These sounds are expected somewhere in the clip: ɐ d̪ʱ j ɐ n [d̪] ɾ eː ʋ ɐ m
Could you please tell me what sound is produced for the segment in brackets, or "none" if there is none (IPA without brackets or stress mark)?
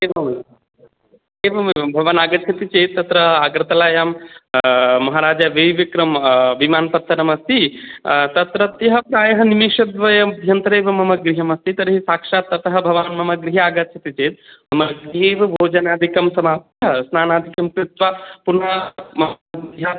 t̪